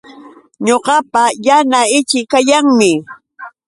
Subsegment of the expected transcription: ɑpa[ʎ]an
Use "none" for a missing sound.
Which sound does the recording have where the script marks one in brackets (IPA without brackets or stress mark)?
j